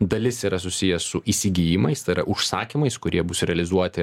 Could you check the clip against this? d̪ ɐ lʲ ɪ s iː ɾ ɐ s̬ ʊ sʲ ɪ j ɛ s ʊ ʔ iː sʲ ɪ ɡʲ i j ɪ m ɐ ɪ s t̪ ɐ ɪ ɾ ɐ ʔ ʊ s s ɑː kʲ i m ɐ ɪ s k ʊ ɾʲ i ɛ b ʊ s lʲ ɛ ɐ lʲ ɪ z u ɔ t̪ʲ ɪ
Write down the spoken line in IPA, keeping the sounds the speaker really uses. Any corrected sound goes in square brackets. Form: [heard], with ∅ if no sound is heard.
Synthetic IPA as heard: d̪ ɐ lʲ ɪ s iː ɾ ɐ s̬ ʊ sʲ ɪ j ɛ s ʊ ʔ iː sʲ ɪ ɡʲ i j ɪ m ɐ ɪ s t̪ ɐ ɪ ɾ ɐ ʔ ʊ [ʃ] s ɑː kʲ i m ɐ ɪ s k ʊ ɾʲ i ɛ b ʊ s [ɾʲ] ɛ ɐ lʲ ɪ z u ɔ t̪ʲ ɪ

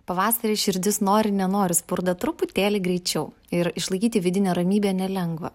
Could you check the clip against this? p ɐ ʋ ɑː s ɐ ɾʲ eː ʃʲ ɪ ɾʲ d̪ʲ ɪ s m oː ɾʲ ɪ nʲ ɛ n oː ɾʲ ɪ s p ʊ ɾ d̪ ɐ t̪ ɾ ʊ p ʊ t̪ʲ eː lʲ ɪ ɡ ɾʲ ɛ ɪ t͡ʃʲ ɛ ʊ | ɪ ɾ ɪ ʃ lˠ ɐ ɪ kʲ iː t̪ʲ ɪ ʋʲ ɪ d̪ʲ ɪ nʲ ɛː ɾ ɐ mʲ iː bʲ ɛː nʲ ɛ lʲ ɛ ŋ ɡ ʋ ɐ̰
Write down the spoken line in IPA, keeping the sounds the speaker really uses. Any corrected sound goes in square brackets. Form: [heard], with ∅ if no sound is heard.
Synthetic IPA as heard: p ɐ ʋ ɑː s ɐ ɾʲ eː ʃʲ ɪ ɾʲ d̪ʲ ɪ s [n] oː ɾʲ ɪ nʲ ɛ n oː ɾʲ ɪ s p ʊ ɾ d̪ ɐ t̪ ɾ ʊ p ʊ t̪ʲ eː lʲ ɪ ɡ ɾʲ ɛ ɪ t͡ʃʲ ɛ ʊ | ɪ ɾ ɪ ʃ lˠ ɐ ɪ kʲ iː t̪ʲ ɪ ʋʲ ɪ d̪ʲ ɪ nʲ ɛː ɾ ɐ mʲ iː bʲ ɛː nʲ ɛ lʲ ɛ ŋ ɡ ʋ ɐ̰

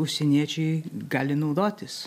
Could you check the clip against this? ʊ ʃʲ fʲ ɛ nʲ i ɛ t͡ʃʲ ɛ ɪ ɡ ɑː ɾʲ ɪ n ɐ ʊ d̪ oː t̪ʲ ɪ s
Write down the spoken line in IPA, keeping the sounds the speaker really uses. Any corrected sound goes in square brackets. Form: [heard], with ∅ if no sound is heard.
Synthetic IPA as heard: ʊ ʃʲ [sʲ] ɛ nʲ i ɛ t͡ʃʲ ɛ ɪ ɡ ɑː [lʲ] ɪ n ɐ ʊ d̪ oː t̪ʲ ɪ s

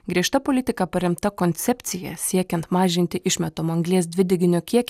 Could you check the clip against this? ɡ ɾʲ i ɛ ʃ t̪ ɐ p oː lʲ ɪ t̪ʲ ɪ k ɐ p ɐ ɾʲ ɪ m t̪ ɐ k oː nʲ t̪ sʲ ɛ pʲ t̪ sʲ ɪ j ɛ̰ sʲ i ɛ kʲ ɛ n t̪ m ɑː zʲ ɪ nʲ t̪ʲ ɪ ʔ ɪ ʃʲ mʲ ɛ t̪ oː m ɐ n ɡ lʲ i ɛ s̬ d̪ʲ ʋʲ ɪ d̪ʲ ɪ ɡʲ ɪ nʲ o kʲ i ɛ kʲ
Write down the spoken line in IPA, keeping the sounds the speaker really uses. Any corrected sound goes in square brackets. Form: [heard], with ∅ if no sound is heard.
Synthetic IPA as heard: ɡ ɾʲ i ɛ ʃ t̪ ɐ p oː lʲ ɪ t̪ʲ ɪ k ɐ p ɐ ɾʲ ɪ m t̪ ɐ k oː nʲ t̪ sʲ ɛ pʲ t̪ sʲ ɪ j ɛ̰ sʲ i ɛ kʲ ɛ n t̪ m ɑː [ʒʲ] ɪ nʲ t̪ʲ ɪ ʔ ɪ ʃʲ mʲ ɛ t̪ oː m ɐ [ŋ] ɡ lʲ i ɛ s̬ d̪ʲ ʋʲ ɪ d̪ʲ ɪ ɡʲ ɪ nʲ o kʲ i ɛ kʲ

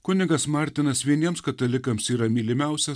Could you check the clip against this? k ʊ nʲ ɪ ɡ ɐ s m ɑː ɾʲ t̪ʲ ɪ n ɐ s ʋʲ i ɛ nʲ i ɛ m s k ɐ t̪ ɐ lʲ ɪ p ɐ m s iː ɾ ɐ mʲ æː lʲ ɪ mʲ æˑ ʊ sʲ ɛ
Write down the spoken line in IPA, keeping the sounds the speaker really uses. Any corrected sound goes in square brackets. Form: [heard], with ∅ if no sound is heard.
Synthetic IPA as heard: k ʊ nʲ ɪ ɡ ɐ s m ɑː ɾʲ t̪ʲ ɪ n ɐ s ʋʲ i ɛ nʲ i ɛ m s k ɐ t̪ ɐ lʲ ɪ [k] ɐ m s iː ɾ ɐ mʲ [iː] lʲ ɪ mʲ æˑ ʊ sʲ ɛ

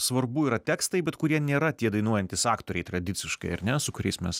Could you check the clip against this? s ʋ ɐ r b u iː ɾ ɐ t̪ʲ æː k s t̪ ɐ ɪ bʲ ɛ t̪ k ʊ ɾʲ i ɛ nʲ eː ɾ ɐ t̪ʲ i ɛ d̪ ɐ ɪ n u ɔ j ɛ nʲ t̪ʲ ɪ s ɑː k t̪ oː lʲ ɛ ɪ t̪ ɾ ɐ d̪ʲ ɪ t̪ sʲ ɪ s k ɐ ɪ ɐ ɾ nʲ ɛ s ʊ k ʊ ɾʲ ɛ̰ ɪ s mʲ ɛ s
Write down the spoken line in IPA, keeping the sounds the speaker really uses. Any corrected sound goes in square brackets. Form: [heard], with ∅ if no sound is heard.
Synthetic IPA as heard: s ʋ ɐ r b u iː ɾ ɐ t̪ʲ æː k s t̪ ɐ ɪ bʲ ɛ t̪ k ʊ ɾʲ i ɛ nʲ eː ɾ ɐ t̪ʲ i ɛ d̪ ɐ ɪ n u ɔ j ɛ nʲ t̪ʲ ɪ s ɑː k t̪ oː [ɾʲ] ɛ ɪ t̪ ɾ ɐ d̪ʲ ɪ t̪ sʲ ɪ [ʃ] k ɐ ɪ ɐ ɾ nʲ ɛ s ʊ k ʊ ɾʲ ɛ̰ ɪ s mʲ ɛ s

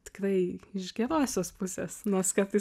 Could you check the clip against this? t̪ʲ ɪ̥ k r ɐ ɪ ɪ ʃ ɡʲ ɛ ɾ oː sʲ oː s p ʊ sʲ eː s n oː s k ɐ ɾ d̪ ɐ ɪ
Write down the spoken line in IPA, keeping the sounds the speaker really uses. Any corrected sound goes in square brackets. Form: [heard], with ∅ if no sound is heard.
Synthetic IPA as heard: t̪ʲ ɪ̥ k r ɐ ɪ ɪ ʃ ɡʲ ɛ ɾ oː sʲ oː s p ʊ sʲ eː s n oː s k ɐ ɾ [t̪] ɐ ɪ

